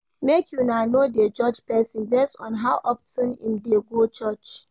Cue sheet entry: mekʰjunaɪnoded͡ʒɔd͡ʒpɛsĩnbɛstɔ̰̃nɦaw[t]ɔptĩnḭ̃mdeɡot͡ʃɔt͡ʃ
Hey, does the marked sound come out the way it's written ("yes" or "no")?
no